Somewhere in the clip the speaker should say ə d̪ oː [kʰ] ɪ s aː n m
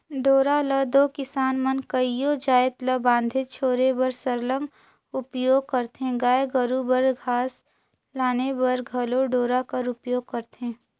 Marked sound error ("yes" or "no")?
yes